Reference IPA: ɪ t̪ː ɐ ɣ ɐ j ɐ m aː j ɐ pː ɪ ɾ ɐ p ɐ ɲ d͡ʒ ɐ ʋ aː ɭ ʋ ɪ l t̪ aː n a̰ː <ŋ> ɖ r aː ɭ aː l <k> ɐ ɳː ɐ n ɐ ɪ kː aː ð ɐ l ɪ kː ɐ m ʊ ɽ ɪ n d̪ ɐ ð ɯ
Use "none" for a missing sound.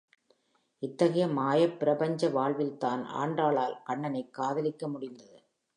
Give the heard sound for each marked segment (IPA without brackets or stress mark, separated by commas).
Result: ɳ, k